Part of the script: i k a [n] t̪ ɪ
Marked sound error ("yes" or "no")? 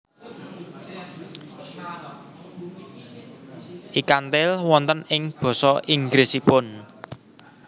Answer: no